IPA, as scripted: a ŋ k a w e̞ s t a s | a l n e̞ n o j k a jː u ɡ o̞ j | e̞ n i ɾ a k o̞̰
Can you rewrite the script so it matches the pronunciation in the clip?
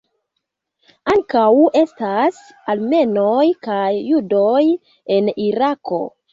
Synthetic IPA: a ŋ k a w e̞ s t a s | a l m e̞ n o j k a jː u d o̞ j | e̞ n i ɾ a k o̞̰

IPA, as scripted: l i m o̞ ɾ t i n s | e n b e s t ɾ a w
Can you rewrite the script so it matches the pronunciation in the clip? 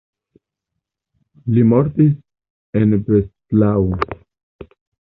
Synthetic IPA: l i m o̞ ɾ t i s | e n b e s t l a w

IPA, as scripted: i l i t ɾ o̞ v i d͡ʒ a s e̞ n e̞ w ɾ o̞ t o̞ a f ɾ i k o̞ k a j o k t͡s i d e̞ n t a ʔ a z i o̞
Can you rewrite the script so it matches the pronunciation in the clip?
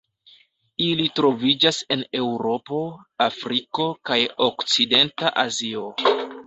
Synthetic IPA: i l i t ɾ o̞ v i d͡ʒ a s e̞ n e̞ w ɾ o̞ p o̞ a f ɾ i k o̞ k a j o k t͡s i d e̞ n t a ʔ a z i o̞

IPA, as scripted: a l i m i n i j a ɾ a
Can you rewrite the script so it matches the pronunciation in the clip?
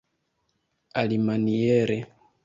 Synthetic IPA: a l i m a n i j ɛ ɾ ɛ

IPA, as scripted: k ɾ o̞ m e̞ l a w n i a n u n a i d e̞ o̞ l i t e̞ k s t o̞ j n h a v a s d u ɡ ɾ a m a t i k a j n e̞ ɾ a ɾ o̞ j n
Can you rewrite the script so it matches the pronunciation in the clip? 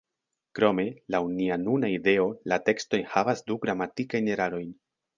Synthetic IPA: k ɾ o̞ m e̞ l a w n i a n u n a i d e̞ o̞ l a t e̞ k s t o̞ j n h a v a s d u ɡ ɾ a m a t i k a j n e̞ ɾ a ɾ o̞ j n

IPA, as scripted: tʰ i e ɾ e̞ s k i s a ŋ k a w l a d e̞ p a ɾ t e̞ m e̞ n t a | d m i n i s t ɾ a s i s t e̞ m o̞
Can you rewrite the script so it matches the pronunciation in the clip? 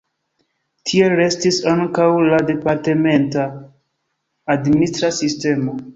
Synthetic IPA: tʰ i e ɾ e̞ s t i s a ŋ k a w l a d e̞ p a ɾ t e̞ m e̞ n t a | d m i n i s t ɾ a s i s t e̞ m o̞

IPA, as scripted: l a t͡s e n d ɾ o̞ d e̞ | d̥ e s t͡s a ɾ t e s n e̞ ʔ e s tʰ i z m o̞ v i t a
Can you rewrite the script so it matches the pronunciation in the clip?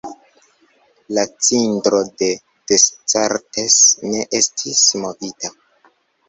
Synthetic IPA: l a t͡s i n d ɾ o̞ d e̞ | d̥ e s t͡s a ɾ t e s n e̞ ʔ e s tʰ i s m o̞ v i t a

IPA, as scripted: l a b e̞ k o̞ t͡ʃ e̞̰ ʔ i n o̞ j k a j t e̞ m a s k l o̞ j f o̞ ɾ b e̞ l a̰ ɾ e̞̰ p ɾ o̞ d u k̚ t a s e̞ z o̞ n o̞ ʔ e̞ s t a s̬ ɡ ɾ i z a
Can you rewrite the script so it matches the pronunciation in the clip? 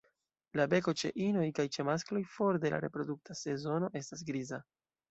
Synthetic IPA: l a b e̞ k o̞ t͡ʃ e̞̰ ʔ i n o̞ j k a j t͡ʃ e̞ m a s k l o̞ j f o̞ ɾ d e̞ l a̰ ɾ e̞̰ p ɾ o̞ d u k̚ t a s e̞ z o̞ n o̞ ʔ e̞ s t a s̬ ɡ ɾ i z a

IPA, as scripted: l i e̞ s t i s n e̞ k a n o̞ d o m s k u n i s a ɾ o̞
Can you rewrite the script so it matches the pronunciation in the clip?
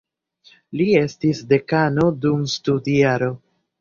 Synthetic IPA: l i e̞ s t i s d e̞ k a n o̞ d u m s t u d i a ɾ o̞

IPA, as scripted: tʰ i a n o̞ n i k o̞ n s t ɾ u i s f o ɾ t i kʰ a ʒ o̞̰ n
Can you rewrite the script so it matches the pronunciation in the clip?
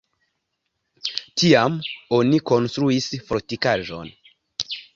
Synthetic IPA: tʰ i a m o̞ n i k o̞ n s t ɾ u i s f o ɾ t i k a ʒ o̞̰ n

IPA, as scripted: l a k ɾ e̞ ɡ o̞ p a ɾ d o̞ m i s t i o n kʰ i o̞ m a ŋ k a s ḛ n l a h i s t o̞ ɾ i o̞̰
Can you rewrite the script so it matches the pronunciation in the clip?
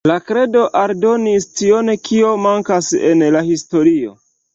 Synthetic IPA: l a k ɾ e̞ d o̞ ʔ a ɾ d o̞ n i s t i o n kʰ i o̞ m a ŋ k a s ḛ n l a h i s t o̞ ɾ i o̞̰

